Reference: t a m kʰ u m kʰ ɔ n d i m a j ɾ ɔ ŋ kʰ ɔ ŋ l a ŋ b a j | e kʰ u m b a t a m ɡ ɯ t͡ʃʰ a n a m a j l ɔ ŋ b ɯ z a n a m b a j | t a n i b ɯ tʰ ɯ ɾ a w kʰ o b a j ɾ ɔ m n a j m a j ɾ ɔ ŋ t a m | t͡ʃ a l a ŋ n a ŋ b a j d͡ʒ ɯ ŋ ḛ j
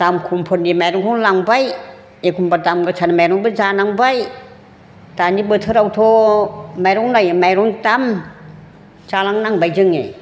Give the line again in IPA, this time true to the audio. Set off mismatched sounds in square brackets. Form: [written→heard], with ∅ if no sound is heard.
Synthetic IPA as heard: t a m kʰ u m [kʰ→pʰ] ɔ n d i m a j ɾ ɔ ŋ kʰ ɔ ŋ l a ŋ b a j | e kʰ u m b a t a m ɡ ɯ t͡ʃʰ a n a m a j [l→ɾ] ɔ ŋ b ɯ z a n a [m→ŋ] b a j | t a n i b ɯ tʰ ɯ ɾ a w [kʰ→tʰ] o [b→m] a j ɾ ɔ [m→ŋ] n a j m a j ɾ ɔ ŋ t a m | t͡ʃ a l a ŋ n a ŋ b a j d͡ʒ ɯ ŋ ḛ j